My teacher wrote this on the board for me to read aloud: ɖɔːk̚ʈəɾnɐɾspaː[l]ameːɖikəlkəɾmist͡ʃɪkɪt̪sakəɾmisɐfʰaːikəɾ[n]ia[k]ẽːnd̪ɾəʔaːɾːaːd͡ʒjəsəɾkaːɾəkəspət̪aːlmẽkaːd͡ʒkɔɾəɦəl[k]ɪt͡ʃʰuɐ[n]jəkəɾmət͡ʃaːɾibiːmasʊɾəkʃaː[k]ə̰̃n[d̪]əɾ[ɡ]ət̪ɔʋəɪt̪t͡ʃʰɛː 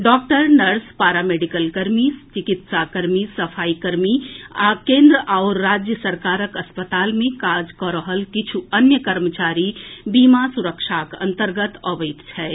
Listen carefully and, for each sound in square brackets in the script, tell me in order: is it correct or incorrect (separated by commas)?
incorrect, incorrect, correct, correct, correct, correct, incorrect, correct